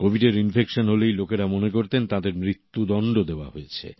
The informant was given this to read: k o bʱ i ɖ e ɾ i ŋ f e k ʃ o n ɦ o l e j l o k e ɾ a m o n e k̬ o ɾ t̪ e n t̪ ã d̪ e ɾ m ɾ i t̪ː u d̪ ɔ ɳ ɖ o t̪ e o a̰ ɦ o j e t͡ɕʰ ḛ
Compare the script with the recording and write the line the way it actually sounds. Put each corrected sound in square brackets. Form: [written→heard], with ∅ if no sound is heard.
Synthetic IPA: k o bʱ i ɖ e ɾ i [ŋ→n] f e k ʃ o n ɦ o l e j l o k e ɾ a m o n e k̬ o ɾ t̪ e n t̪ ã d̪ e ɾ m ɾ i t̪ː u d̪ ɔ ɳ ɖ o [t̪→d̪] e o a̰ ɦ o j e t͡ɕʰ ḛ